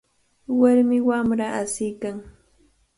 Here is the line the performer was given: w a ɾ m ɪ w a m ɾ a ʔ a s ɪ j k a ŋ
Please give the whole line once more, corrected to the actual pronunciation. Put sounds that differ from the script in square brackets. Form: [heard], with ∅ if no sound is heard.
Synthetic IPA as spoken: w a ɾ m ɪ w a m ɾ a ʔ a s ɪ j k a ŋ